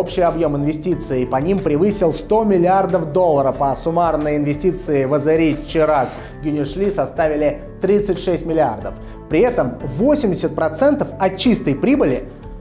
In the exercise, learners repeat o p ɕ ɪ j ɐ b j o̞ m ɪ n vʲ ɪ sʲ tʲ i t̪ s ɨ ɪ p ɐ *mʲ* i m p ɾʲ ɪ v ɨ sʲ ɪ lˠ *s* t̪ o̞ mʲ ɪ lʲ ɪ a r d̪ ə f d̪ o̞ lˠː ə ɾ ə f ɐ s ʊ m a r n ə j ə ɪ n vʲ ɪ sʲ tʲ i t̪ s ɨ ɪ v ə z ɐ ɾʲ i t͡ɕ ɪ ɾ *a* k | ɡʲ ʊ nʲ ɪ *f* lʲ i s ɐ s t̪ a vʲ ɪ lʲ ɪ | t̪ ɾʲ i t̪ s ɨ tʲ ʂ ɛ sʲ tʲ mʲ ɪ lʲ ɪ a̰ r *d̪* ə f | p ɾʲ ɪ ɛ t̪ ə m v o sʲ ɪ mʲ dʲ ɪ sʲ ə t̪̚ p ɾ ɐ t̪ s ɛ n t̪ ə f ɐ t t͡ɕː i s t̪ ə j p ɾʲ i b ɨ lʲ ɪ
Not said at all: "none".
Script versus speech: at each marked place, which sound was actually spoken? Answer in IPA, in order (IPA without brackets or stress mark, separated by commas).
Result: nʲ, s, a, ʂ, d̪